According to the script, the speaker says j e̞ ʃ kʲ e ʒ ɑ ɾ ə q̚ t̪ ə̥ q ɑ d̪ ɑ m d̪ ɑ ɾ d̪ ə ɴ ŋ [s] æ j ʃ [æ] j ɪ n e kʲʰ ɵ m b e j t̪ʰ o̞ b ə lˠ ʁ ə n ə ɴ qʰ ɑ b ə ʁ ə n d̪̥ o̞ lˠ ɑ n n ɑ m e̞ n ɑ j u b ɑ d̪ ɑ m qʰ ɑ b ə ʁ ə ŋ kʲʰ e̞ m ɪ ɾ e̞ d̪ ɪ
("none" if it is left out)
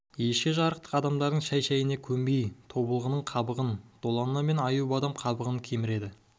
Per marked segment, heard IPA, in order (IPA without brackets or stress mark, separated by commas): ʃ, æ